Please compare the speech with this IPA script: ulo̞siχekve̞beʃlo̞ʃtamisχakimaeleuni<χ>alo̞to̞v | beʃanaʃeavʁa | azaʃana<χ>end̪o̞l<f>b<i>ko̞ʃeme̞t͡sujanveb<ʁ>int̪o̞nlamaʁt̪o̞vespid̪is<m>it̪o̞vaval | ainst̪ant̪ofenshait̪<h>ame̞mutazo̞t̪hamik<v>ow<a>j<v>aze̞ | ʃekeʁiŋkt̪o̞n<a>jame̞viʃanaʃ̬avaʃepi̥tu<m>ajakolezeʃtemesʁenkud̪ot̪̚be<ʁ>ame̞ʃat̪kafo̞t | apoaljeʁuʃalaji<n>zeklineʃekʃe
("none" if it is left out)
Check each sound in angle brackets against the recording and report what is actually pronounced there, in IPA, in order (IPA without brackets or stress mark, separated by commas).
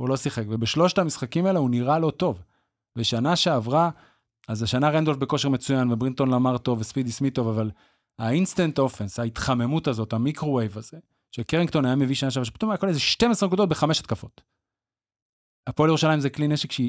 ʁ, ʁ, f, e, ʁ, m, χ, ʁ, e, v, a, m, χ, m